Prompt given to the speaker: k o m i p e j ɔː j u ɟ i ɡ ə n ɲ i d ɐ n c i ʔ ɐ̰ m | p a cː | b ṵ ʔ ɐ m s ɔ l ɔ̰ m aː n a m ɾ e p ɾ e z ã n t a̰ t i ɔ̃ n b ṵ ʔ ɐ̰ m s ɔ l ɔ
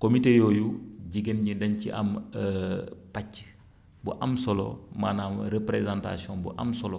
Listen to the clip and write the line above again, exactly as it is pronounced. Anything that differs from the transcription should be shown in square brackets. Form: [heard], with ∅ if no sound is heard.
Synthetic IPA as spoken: k o m i [t] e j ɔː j u ɟ i ɡ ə n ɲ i d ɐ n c i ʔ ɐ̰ m | p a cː | b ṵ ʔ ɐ m s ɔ l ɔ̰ m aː n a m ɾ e p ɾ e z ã n t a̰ [s] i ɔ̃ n b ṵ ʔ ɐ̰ m s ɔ l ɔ